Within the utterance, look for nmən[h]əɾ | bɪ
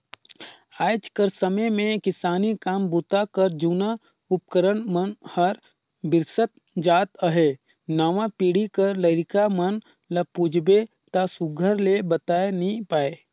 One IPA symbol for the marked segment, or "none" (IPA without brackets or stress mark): h